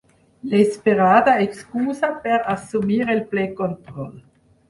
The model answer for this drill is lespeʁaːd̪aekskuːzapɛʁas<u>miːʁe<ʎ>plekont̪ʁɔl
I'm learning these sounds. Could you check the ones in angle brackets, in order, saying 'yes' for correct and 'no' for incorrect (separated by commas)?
yes, no